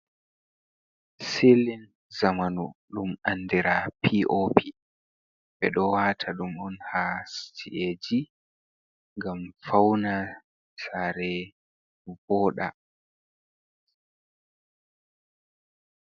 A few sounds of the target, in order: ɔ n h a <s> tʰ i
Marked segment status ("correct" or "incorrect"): correct